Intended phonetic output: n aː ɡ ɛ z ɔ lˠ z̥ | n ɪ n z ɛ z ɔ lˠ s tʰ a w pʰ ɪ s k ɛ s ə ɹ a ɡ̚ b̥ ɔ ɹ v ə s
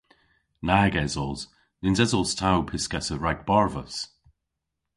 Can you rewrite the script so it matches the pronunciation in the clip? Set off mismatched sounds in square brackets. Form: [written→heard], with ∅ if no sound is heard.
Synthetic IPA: n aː ɡ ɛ z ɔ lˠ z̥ | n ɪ n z ɛ z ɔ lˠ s tʰ a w pʰ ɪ s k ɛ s ə ɹ a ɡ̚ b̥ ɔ ɹ v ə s